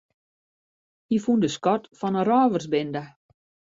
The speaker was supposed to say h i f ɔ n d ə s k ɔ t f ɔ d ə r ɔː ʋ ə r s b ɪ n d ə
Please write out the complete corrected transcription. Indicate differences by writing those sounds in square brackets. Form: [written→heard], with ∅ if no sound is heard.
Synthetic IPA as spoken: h i f [ɔ→u] n d ə s k ɔ t f ɔ [d→n] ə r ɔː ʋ ə r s b ɪ n d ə

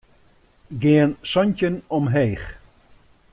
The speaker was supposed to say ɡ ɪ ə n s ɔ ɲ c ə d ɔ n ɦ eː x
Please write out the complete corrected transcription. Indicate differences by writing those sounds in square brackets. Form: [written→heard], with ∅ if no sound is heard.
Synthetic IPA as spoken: ɡ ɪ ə n s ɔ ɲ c ə [d→n] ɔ [n→m] ɦ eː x

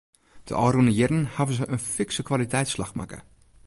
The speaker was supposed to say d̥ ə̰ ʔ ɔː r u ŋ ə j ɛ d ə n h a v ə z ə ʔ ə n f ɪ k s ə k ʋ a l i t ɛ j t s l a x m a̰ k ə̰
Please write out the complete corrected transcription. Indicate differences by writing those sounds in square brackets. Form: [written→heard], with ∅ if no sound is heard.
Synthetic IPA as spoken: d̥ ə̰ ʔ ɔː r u [ŋ→n] ə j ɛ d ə n h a v ə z ə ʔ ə n f ɪ k s ə k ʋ a l i t ɛ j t s l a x m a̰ k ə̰

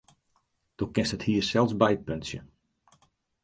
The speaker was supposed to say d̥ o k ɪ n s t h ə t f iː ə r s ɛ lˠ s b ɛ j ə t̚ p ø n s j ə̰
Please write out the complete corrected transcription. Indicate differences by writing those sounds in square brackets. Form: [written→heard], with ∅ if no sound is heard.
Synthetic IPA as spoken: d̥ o k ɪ n s t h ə t [f→h] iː ə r s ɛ lˠ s b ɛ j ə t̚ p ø n s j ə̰

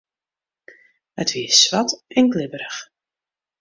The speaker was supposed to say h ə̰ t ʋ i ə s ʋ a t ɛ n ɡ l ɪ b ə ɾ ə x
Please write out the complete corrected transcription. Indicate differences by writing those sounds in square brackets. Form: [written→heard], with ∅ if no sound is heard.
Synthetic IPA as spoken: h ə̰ t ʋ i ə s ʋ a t ɛ n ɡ l ɪ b ə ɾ ə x

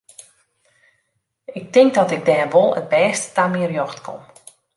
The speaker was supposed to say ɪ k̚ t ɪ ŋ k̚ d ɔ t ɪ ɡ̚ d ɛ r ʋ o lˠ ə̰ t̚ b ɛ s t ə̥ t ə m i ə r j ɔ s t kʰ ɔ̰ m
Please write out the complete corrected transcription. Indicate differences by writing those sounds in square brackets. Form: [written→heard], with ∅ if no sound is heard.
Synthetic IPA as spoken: ɪ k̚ t ɪ ŋ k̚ d ɔ t ɪ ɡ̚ d [ɛ→ɛː] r ʋ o lˠ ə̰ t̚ b [ɛ→ɛː] s t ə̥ t [ə→a] m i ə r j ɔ [s→x] t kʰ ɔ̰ m

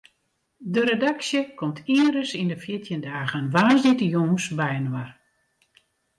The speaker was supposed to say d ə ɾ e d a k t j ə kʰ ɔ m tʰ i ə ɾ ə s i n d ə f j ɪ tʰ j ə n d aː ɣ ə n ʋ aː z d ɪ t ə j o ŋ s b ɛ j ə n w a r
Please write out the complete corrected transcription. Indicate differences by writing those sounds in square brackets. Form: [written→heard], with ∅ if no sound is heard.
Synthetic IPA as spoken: d ə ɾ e d a k [t→s] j ə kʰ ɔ m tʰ i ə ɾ ə s i n d ə f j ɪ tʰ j ə n d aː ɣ ə n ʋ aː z d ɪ t ə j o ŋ s b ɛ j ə n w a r

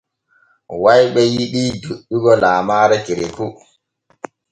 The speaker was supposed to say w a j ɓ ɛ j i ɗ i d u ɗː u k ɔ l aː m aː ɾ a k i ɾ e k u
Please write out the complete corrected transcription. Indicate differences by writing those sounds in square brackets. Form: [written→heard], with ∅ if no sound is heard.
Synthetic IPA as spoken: w a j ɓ ɛ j i ɗ i d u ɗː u [k→ɡ] ɔ l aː m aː ɾ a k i ɾ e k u

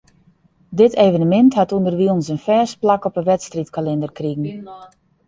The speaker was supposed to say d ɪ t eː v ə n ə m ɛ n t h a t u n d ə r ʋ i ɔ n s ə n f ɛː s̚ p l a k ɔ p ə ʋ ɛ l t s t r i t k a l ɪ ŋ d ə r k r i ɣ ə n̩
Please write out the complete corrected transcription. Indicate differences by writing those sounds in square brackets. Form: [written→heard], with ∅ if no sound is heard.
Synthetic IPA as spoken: d ɪ t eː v ə n ə m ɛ n t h a t u n d ə r ʋ i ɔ n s ə n f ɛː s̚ p l a k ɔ p ə ʋ ɛ [l→∅] t s t r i t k a l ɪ [ŋ→n] d ə r k r i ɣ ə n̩

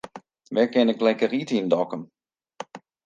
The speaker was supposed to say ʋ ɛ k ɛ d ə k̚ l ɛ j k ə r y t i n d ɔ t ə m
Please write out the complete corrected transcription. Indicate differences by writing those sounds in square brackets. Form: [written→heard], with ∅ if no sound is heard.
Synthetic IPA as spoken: ʋ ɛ k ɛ [d→n] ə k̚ l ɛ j k ə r [y→i] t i n d ɔ [t→k] ə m

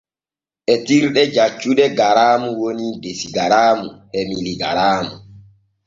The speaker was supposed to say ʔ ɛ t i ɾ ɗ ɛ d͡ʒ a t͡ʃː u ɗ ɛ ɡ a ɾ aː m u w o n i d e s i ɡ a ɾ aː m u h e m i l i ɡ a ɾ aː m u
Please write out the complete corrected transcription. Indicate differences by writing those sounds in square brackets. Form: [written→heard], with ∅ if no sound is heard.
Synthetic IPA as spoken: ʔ ɛ t i ɾ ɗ ɛ d͡ʒ a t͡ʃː u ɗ ɛ ɡ a ɾ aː m u w o n i d e s i ɡ a ɾ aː m u h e m i l i ɡ a ɾ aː m u

